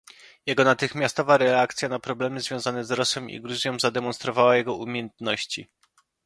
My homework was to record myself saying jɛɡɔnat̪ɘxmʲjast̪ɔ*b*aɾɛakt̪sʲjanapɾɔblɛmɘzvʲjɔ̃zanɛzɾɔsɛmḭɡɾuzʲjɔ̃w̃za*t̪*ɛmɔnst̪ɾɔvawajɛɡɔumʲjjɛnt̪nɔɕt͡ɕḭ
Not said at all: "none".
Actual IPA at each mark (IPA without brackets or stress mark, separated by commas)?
v, d̪